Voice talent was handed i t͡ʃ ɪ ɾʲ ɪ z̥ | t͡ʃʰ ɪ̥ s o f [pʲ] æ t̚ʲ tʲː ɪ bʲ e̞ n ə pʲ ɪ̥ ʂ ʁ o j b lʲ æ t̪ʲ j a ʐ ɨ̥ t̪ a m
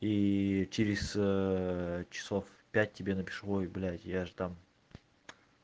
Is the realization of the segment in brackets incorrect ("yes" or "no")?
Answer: no